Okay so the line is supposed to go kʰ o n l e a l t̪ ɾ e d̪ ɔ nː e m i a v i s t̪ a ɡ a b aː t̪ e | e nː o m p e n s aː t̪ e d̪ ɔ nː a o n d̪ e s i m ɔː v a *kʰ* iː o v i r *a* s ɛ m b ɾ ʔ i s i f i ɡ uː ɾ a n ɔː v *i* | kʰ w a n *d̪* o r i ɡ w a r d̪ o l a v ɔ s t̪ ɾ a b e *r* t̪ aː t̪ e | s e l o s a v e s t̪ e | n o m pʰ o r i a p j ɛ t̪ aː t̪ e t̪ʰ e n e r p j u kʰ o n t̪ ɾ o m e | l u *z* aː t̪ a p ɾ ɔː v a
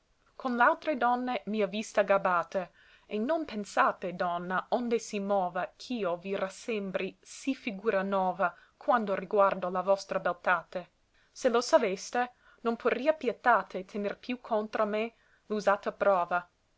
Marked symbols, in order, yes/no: yes, yes, no, yes, no, yes

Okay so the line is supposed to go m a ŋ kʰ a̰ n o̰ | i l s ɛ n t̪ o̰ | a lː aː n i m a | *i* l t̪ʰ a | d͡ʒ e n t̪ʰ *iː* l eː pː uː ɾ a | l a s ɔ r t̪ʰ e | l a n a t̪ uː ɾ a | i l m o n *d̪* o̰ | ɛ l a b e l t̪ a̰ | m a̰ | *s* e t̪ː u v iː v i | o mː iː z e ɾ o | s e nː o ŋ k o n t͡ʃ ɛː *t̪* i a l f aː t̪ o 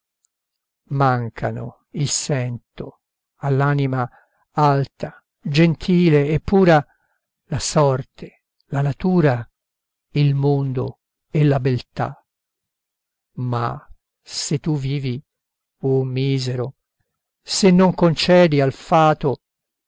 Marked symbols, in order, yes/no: no, yes, yes, yes, no

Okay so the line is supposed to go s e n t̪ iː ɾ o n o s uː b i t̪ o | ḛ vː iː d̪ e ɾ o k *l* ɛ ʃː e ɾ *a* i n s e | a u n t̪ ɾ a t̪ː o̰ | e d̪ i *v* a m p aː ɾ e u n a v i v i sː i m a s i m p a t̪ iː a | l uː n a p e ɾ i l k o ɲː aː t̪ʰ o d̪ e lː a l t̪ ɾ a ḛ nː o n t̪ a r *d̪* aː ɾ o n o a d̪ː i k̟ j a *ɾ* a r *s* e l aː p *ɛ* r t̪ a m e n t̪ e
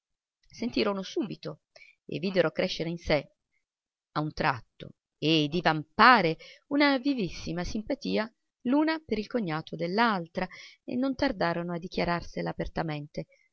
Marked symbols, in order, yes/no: no, no, yes, yes, yes, yes, no

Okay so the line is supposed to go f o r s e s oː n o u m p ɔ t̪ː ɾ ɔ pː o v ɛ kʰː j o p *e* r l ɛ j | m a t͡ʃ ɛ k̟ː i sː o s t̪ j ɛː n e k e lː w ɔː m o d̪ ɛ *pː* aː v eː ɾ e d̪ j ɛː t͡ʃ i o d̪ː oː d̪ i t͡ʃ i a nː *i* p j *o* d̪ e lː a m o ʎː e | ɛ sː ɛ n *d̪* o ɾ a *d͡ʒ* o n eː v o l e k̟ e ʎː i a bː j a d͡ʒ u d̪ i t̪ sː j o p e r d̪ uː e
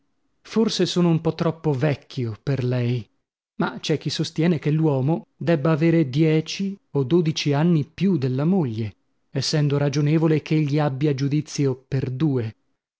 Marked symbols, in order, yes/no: yes, no, yes, no, yes, yes

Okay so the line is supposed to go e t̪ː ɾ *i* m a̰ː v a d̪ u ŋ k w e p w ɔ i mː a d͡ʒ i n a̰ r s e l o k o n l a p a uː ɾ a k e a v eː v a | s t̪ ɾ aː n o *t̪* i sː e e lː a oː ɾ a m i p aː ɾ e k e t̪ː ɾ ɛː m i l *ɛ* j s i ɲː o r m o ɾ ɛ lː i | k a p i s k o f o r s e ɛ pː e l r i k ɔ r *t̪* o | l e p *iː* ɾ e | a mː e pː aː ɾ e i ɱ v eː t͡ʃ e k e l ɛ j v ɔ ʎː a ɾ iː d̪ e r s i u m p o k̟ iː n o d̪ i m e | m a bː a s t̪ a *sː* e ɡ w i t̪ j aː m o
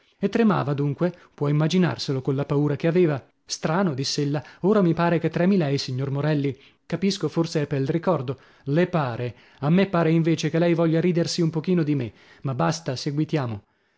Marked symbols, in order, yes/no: no, no, yes, no, no, no

